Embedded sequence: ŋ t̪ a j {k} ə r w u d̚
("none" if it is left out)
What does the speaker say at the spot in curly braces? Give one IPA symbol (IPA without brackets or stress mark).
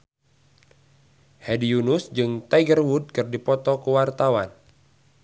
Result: ɡ